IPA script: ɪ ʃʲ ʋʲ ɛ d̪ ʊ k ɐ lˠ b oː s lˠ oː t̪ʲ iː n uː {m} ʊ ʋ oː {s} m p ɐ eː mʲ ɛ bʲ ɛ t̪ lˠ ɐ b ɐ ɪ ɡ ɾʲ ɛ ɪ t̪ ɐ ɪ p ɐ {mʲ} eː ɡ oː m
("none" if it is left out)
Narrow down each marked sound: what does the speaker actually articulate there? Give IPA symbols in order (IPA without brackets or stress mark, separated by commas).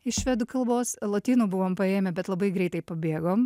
b, none, bʲ